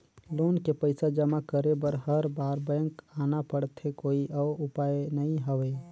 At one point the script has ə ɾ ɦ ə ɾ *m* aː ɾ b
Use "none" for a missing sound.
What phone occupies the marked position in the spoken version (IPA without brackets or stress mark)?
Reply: b